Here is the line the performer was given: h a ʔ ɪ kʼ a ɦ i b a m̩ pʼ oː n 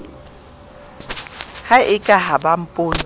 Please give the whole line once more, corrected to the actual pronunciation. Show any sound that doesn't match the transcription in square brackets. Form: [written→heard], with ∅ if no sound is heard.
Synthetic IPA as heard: h a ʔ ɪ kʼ a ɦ [i→a] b a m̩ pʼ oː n